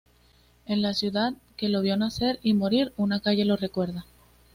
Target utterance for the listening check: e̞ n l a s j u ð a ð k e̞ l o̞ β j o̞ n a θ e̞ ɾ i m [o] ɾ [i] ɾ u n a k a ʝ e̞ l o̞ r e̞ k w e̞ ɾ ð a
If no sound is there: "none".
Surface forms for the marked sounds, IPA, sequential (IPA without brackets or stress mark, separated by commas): o, i